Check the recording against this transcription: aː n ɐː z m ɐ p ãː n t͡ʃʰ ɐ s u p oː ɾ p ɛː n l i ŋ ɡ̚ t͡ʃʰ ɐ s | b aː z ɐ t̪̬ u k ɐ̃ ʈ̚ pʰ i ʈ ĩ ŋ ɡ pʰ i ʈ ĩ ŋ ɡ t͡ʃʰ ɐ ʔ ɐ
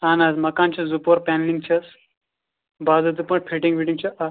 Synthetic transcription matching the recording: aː n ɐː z m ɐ k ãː n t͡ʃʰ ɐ z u p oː ɾ p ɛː n l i ŋ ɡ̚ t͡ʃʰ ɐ s | b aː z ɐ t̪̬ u p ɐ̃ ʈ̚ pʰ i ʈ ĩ ŋ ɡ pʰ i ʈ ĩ ŋ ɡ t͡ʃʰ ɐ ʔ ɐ